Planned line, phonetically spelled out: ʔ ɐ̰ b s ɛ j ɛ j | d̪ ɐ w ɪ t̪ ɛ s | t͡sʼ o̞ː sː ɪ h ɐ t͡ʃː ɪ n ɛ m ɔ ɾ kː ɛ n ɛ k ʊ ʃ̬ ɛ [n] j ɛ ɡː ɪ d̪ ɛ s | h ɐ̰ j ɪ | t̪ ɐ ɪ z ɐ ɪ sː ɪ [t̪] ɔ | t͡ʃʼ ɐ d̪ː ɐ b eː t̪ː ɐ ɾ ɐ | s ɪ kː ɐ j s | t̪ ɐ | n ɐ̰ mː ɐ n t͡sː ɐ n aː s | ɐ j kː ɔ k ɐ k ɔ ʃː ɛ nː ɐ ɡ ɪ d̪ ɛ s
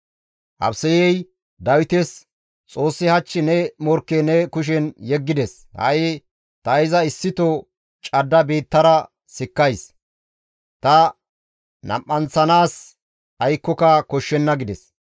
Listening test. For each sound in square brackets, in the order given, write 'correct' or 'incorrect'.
correct, correct

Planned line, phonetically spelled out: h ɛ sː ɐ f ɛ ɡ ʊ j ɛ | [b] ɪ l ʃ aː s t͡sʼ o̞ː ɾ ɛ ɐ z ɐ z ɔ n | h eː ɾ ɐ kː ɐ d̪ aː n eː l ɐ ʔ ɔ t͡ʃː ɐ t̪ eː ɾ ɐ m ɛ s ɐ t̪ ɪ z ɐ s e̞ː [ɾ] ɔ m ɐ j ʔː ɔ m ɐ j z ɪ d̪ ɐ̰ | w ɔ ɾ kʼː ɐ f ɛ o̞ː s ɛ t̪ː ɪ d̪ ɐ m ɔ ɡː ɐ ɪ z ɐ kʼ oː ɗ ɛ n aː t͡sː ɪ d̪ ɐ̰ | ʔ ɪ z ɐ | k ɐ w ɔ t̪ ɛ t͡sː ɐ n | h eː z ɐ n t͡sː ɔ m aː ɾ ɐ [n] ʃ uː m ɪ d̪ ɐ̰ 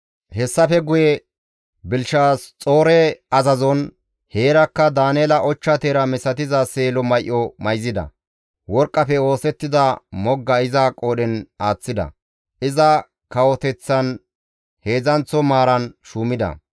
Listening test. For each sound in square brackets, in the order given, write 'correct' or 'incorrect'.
correct, incorrect, correct

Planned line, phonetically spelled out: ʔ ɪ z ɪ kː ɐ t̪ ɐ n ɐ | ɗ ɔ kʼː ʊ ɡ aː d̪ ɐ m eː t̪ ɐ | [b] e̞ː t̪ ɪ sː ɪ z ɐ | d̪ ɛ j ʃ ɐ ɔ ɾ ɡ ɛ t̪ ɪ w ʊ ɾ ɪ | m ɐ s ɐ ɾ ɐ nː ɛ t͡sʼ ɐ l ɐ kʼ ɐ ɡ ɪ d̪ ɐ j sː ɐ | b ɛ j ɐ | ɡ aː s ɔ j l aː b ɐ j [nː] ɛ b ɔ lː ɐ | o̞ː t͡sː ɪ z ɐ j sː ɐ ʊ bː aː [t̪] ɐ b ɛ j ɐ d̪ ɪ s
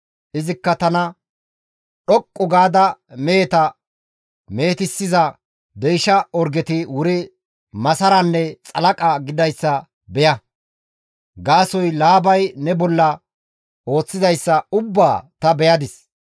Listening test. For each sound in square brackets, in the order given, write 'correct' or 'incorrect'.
incorrect, incorrect, correct

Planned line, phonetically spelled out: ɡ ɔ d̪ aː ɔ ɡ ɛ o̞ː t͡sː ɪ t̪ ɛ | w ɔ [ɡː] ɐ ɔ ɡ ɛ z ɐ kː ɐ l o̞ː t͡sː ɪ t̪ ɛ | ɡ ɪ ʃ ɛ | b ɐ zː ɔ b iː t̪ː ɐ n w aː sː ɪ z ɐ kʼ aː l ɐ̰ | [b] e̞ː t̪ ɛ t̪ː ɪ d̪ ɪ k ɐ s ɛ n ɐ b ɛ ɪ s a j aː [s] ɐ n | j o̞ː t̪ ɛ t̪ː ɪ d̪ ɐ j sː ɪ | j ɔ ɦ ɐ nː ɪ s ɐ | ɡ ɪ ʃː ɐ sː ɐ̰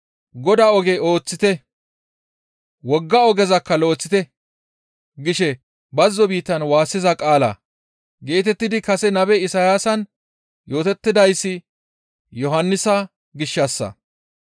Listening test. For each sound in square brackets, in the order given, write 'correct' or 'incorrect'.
correct, incorrect, correct

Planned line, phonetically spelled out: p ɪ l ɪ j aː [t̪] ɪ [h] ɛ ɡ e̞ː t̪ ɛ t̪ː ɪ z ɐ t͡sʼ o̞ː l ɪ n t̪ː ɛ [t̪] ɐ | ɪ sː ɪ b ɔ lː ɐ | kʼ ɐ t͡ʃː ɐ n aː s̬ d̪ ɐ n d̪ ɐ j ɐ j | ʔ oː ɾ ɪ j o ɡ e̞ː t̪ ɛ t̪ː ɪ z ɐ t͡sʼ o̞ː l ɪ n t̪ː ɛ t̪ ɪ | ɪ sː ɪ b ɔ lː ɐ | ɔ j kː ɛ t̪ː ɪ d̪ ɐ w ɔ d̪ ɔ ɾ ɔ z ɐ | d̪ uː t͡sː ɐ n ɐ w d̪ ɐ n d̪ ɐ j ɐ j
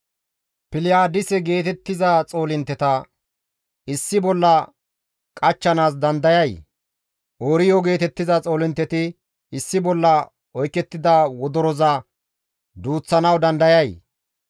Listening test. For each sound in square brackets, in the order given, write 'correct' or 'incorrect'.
incorrect, incorrect, correct

